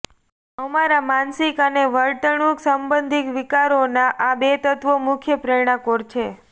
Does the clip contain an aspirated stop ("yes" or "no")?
yes